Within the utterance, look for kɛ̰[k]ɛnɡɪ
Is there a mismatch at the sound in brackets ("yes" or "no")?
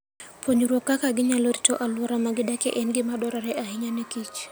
yes